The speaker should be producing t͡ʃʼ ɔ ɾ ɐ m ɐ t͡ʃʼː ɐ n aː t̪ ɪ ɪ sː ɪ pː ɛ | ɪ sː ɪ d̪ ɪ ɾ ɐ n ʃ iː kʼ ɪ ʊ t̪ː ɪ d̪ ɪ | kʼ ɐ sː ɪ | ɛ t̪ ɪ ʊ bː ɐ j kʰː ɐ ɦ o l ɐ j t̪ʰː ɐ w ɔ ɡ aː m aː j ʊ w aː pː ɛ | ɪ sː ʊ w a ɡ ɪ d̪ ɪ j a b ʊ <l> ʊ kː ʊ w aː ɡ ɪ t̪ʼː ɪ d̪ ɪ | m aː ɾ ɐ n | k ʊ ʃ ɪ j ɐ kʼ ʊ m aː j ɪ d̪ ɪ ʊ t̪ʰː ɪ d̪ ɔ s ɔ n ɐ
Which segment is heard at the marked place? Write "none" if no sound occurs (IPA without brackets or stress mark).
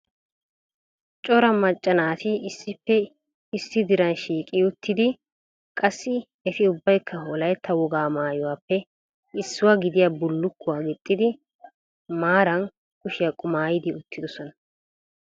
lː